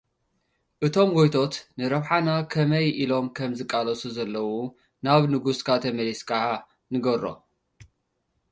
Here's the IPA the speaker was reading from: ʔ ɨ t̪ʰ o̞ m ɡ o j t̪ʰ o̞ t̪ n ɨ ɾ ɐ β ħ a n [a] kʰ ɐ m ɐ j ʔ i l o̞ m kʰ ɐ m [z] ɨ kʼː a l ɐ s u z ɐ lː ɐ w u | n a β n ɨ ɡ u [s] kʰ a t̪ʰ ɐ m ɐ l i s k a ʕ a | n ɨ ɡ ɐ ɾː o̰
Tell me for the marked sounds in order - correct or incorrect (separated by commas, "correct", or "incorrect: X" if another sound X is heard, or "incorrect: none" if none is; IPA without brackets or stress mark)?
correct, correct, correct